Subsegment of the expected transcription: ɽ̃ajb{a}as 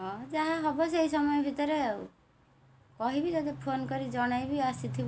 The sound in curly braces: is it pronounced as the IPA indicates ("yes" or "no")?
no